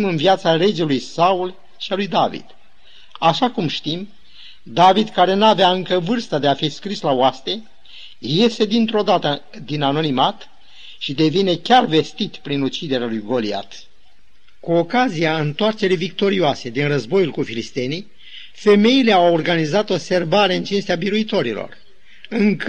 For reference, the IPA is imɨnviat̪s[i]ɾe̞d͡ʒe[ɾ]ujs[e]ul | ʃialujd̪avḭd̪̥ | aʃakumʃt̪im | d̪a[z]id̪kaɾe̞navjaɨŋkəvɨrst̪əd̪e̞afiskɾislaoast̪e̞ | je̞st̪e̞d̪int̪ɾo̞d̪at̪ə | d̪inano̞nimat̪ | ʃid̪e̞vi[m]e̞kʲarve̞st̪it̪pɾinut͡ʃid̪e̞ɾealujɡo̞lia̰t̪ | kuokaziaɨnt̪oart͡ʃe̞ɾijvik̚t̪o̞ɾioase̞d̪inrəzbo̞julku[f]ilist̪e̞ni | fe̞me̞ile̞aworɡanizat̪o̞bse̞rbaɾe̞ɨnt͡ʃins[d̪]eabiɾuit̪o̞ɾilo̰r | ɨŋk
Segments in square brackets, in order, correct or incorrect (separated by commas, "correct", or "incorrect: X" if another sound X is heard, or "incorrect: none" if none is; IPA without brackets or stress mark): incorrect: a, incorrect: l, incorrect: a, incorrect: v, incorrect: n, correct, incorrect: t̪